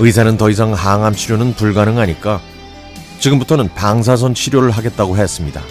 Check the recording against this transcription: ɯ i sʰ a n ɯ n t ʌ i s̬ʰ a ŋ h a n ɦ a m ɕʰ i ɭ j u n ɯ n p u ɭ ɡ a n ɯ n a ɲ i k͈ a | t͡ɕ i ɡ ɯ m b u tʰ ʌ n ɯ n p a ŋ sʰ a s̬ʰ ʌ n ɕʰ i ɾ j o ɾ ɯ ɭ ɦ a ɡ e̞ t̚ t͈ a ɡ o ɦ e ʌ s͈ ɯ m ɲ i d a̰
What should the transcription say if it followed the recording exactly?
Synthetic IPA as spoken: ɯ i sʰ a n ɯ n t ʌ i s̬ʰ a ŋ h a ŋ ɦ a m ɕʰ i ɾ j o n ɯ n p u ɭ ɡ a n ɯ ŋ a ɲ i k͈ a | t͡ɕ i ɡ ɯ m b u tʰ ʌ n ɯ n p a ŋ sʰ a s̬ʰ ʌ n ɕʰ i ɾ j o ɾ ɯ ɭ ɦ a ɡ e̞ t̚ t͈ a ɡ o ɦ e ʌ s͈ ɯ m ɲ i d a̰